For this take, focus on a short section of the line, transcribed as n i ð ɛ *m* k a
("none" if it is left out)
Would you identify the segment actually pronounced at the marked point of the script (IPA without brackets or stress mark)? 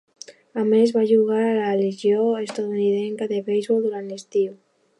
ŋ